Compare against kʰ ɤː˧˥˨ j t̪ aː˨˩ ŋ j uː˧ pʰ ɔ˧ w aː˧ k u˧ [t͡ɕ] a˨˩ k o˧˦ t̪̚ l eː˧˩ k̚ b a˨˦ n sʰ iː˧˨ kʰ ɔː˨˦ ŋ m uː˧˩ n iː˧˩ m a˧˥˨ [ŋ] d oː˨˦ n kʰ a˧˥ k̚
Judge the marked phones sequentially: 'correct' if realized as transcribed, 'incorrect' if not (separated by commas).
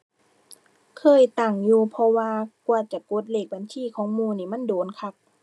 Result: correct, incorrect